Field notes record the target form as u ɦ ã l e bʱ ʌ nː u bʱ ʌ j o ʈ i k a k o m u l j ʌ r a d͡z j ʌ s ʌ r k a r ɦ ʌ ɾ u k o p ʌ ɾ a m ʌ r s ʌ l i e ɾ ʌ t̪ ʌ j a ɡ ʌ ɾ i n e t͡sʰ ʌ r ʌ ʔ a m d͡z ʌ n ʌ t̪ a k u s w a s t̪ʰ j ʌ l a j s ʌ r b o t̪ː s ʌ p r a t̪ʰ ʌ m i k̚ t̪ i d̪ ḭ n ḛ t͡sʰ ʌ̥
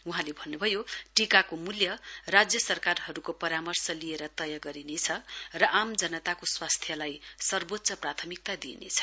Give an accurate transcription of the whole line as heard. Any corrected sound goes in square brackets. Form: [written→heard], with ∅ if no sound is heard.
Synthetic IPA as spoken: u ɦ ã l e bʱ ʌ nː u bʱ ʌ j o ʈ i k a k o m u l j ʌ r a d͡z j ʌ s ʌ r k a r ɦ ʌ ɾ u k o p ʌ ɾ a m ʌ r s ʌ l i e ɾ ʌ t̪ ʌ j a ɡ ʌ ɾ i n e t͡sʰ ʌ r ʌ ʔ a m d͡z ʌ n ʌ t̪ a k [u→o] s w a s t̪ʰ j ʌ l a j s ʌ r b o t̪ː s ʌ p r a t̪ʰ ʌ m i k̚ t̪ [i→a] d̪ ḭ n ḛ t͡sʰ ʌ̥